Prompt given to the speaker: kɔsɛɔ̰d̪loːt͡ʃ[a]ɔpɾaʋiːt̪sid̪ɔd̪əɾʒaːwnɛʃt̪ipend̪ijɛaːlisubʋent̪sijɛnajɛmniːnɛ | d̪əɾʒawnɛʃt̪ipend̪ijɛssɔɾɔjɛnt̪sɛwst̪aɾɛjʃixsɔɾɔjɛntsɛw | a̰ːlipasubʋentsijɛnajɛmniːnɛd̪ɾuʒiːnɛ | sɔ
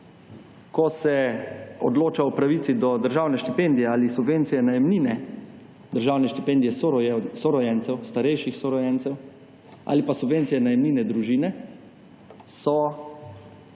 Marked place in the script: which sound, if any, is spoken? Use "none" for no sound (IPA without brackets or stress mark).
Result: a